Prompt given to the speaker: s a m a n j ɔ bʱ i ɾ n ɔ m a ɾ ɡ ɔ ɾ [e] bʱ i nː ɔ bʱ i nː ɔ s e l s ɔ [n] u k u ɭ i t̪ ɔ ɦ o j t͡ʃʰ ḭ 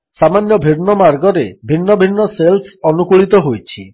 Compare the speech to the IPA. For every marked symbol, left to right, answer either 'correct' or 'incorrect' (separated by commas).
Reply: correct, correct